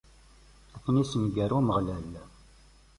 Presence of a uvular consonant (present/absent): present